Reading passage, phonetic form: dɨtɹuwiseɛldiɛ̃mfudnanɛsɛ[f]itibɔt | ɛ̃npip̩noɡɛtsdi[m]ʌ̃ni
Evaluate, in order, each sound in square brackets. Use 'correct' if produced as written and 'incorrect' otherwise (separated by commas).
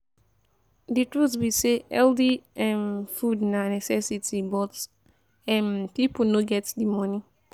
incorrect, correct